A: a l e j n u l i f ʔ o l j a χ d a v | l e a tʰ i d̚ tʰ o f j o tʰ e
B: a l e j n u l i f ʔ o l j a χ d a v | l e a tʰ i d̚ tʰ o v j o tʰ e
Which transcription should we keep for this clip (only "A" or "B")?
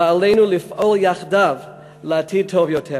B